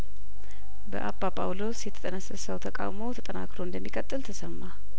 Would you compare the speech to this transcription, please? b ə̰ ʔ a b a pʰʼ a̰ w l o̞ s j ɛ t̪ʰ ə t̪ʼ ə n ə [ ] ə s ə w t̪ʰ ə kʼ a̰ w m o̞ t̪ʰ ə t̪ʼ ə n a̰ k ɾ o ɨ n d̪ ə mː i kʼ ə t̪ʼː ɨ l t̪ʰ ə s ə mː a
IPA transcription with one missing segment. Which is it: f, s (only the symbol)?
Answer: s